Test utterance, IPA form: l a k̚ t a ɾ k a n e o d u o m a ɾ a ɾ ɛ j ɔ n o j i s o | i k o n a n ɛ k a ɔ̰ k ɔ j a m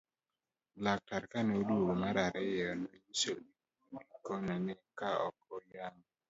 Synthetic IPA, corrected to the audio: l a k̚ t a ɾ k a n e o d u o m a ɾ a ɾ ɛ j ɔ n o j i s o | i k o n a n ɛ k a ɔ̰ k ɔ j a ŋ